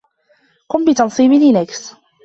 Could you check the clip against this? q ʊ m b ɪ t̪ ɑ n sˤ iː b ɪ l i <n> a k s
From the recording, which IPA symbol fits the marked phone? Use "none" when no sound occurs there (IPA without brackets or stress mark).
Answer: n